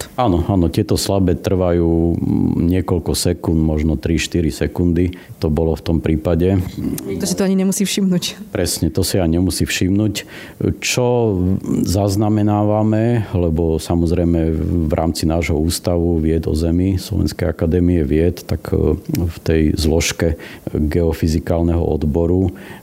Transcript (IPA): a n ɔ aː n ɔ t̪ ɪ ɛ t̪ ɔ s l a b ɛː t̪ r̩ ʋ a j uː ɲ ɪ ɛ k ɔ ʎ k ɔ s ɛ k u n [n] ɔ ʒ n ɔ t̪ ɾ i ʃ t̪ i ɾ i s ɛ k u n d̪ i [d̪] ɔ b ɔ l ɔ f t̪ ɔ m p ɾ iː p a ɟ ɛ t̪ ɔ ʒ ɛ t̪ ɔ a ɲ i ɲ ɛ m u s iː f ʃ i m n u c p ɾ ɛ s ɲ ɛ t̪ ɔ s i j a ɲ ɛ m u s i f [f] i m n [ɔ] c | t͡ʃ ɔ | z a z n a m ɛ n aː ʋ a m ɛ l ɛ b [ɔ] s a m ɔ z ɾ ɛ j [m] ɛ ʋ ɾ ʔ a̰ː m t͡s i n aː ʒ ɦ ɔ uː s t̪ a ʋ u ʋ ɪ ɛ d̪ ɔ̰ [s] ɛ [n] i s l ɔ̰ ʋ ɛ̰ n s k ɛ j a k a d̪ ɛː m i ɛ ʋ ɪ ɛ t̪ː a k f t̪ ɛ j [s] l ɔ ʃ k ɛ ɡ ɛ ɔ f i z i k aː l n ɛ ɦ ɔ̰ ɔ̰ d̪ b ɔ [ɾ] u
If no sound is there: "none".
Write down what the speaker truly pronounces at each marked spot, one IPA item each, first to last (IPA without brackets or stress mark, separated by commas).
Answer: m, t̪, ʃ, u, ɔ, m, z, m, z, ɾ